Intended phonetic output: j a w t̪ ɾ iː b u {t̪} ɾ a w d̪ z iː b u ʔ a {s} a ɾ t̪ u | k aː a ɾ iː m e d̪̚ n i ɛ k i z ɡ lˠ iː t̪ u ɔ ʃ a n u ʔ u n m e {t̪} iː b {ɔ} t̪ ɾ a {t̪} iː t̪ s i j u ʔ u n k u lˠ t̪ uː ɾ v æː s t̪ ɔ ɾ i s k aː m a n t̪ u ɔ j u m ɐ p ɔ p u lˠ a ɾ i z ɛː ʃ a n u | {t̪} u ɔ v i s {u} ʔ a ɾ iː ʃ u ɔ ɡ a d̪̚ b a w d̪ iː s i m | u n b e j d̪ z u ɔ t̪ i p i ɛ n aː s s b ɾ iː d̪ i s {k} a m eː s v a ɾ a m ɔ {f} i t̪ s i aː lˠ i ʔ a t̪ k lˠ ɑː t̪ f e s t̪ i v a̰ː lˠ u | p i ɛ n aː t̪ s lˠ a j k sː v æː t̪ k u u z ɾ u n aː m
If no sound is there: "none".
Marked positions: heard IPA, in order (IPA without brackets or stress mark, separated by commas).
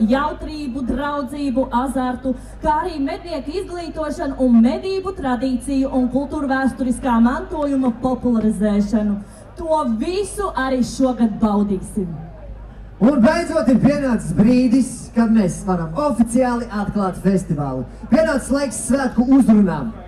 d̪, z, d̪, u, d̪, t̪, u, k, f